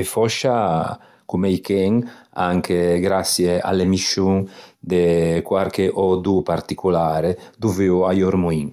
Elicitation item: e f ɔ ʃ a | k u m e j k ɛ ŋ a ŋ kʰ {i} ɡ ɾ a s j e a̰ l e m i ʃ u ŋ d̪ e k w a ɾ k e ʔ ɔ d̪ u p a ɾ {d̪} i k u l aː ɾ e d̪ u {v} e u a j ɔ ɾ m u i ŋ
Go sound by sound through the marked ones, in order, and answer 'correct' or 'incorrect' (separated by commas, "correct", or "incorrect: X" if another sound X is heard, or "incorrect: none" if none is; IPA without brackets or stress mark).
incorrect: e, incorrect: t̪, correct